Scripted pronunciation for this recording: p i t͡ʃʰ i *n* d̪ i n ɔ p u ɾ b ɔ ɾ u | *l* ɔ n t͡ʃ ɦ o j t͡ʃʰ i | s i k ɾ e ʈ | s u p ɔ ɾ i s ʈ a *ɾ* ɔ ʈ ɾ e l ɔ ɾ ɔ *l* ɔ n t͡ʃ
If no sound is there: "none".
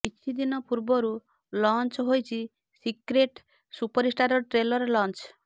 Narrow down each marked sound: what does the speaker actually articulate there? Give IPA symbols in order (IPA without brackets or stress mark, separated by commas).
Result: none, l, ɾ, l